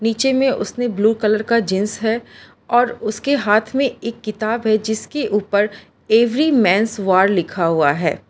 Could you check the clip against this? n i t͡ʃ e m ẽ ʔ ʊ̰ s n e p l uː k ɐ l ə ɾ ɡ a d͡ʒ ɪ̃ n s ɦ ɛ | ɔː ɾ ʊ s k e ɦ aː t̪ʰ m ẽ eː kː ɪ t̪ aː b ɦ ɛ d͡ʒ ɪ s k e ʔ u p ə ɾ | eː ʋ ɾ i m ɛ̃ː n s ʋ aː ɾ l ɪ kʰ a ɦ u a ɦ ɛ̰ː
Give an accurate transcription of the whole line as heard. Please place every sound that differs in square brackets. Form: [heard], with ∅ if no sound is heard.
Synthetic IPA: n [iː] t͡ʃ e m ẽ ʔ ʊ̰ s n e [b] l uː k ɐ l ə ɾ [k] a d͡ʒ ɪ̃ n s ɦ ɛ | ɔː ɾ ʊ s k e ɦ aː t̪ʰ m ẽ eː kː ɪ t̪ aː b ɦ ɛ d͡ʒ ɪ s k e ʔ [uː] p ə ɾ | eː ʋ ɾ i m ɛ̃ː n s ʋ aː ɾ l ɪ kʰ a ɦ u a ɦ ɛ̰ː